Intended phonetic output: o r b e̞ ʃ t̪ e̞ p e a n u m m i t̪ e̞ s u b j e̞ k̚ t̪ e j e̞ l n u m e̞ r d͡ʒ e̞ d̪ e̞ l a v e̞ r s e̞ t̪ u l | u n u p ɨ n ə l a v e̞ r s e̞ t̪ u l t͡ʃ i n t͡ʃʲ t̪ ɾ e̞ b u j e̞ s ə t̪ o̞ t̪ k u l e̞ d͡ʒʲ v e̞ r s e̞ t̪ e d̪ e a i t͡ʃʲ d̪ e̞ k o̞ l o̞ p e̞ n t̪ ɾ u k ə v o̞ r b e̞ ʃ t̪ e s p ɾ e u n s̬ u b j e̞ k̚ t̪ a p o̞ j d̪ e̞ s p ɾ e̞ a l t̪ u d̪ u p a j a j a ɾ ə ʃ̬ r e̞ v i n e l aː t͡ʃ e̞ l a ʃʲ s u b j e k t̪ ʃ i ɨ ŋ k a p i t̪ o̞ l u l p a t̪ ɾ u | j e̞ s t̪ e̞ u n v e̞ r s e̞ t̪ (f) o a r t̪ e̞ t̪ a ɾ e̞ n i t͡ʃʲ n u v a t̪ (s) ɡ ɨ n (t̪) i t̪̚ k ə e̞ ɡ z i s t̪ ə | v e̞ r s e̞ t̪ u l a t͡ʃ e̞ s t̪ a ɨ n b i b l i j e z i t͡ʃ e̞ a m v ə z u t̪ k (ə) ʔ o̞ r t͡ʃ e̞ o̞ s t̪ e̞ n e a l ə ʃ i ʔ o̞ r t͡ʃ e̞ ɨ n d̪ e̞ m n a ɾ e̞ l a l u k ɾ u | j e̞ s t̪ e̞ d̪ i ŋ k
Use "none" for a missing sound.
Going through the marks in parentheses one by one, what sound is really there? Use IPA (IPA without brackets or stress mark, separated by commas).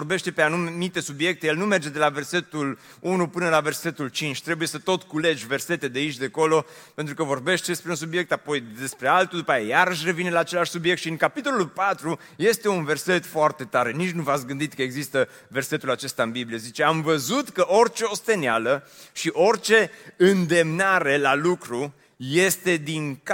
f, s, d̪, ə